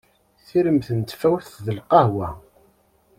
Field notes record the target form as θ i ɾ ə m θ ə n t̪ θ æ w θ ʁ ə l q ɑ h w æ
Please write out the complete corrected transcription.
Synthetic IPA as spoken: θ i ɾ ə m θ ə n t̪ f æ w θ ð ə l q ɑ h w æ

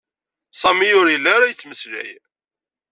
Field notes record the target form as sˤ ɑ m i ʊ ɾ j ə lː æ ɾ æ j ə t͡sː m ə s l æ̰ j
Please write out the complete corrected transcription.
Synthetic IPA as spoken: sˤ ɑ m i ʊ ɾ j ə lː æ ɾ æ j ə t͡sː m ə s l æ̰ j

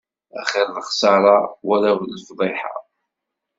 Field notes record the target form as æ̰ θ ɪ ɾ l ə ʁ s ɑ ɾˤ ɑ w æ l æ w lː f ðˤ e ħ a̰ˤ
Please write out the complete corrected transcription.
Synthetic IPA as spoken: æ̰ χ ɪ ɾ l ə χ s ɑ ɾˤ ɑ w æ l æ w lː f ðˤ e ħ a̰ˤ

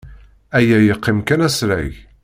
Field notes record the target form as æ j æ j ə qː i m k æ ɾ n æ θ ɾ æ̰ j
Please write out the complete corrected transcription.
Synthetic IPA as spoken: æ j æ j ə qː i m k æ n æ s ɾ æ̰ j

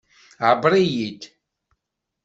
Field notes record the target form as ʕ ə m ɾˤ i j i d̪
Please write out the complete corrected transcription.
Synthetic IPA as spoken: ʕ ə b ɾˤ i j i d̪

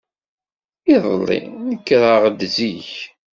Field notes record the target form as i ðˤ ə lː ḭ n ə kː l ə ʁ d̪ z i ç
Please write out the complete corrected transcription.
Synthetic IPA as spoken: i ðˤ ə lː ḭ n ə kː ɾ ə ʁ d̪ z i ç

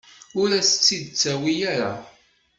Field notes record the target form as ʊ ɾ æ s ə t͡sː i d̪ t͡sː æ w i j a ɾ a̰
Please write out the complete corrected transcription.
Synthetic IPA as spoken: ʊ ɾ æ s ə t͡sː i d̪ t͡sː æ w i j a ɾ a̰

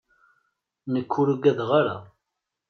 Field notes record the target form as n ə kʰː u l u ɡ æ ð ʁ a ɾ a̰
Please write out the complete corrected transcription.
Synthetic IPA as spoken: n ə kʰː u ɾ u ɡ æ ð ʁ a ɾ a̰

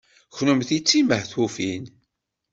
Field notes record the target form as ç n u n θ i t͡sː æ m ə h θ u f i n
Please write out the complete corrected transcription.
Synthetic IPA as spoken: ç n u m θ i t͡sː i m ə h θ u f i n

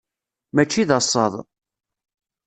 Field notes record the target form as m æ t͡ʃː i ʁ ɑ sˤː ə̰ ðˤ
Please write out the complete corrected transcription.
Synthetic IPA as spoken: m æ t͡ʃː i ð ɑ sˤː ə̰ ðˤ

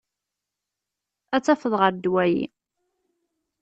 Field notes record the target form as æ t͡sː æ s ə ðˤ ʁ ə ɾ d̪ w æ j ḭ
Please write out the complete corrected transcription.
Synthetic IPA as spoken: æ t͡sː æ f ə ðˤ ʁ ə ɾ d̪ w æ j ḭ

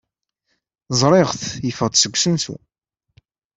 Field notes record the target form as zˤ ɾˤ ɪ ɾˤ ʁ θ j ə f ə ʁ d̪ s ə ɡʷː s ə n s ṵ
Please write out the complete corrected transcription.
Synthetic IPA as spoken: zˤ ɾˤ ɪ ʁ θ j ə f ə ʁ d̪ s ə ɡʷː s ə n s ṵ

